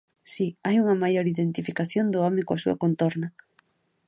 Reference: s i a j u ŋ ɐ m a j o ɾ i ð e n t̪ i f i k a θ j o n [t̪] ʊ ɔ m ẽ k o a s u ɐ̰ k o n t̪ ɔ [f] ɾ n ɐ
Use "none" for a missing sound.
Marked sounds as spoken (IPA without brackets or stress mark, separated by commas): d̪, none